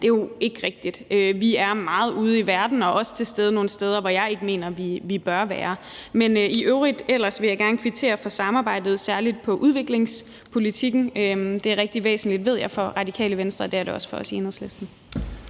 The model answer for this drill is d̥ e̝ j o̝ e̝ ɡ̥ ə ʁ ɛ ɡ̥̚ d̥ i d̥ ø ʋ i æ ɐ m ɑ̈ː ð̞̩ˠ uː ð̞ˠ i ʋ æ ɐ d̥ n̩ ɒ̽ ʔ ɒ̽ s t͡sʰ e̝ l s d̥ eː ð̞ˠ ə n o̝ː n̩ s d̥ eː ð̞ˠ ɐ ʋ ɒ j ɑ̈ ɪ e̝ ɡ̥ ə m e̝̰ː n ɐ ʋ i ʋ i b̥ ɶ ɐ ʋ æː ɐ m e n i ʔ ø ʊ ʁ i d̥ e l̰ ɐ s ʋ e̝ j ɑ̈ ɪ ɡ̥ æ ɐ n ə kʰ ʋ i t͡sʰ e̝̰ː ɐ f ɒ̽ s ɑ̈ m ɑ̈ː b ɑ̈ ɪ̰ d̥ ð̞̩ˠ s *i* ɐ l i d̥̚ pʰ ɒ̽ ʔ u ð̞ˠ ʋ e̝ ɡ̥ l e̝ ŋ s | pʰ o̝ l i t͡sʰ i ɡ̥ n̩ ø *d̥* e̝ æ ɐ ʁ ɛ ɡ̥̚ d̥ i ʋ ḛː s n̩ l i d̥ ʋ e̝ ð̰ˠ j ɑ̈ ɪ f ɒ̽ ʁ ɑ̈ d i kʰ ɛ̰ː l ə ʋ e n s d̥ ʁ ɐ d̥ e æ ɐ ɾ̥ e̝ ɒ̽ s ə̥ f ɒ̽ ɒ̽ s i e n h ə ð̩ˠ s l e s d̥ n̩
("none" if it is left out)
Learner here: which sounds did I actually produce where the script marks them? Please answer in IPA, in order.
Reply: æ, d̥

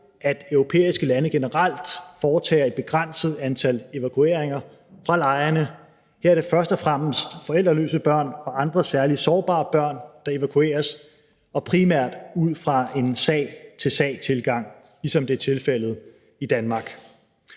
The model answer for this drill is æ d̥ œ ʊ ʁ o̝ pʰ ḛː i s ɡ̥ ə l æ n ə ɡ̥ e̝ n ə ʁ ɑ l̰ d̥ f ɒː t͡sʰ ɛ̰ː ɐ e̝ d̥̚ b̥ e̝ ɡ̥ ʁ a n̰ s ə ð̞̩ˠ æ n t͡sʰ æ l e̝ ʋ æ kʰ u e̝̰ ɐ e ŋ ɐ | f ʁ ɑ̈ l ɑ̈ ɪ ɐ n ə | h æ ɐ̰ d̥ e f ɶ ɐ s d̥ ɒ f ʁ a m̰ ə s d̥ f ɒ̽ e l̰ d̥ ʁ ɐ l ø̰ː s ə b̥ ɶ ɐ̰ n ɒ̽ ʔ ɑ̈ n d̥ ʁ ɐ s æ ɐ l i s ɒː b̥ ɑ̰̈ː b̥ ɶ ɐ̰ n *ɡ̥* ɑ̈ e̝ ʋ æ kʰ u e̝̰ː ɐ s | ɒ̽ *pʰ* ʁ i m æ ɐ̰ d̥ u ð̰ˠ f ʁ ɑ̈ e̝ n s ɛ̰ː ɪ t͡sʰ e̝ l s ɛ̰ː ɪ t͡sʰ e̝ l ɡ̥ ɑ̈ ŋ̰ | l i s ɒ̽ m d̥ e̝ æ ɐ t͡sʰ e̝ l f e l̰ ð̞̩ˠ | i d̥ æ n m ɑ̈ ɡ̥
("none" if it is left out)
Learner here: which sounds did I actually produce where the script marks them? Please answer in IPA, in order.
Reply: d̥, pʰ

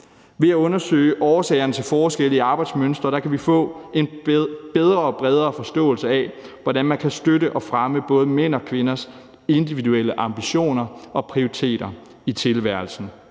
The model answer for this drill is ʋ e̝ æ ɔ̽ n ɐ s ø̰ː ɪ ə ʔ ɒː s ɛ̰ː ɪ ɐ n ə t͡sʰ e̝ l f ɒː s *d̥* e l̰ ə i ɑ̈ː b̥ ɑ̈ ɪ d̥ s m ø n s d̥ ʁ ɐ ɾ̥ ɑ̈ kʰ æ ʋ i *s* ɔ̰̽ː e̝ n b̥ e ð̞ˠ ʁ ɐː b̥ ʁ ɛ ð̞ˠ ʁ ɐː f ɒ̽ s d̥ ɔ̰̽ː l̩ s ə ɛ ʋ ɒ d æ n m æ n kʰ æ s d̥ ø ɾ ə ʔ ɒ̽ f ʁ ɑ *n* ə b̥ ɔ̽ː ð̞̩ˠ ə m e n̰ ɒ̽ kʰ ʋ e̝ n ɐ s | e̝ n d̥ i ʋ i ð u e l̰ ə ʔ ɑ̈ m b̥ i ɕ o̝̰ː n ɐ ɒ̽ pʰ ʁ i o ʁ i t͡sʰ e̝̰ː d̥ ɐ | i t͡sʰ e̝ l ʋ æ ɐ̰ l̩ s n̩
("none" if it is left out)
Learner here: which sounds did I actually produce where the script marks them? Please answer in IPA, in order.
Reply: ɡ̥, f, m

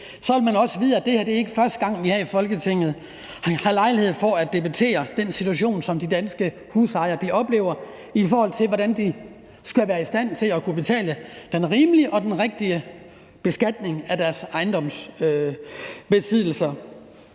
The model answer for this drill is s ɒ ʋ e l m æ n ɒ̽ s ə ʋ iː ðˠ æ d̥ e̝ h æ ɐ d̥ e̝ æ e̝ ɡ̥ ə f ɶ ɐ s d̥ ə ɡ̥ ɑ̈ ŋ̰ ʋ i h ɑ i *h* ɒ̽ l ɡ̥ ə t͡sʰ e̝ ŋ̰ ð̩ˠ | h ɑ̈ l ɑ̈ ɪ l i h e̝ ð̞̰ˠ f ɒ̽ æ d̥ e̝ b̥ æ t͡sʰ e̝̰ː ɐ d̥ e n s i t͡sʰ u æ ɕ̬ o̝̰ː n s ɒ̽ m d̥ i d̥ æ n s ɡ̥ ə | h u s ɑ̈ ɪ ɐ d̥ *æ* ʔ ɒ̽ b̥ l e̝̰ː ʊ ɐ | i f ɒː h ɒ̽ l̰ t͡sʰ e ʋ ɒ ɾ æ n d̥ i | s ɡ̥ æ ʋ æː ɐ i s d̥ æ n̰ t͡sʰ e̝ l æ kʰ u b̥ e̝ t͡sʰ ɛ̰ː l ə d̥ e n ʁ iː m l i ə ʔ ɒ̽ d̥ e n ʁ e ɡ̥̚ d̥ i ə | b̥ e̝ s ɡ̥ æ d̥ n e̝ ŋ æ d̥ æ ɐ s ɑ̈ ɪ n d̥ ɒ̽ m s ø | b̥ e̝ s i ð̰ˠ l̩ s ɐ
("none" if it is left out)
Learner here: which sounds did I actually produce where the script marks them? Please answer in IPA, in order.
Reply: f, i

